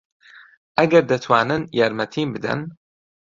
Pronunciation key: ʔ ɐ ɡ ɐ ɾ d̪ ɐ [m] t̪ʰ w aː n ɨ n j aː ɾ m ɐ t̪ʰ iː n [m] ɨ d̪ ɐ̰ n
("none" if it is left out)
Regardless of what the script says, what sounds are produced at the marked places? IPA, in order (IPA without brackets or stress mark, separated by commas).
none, b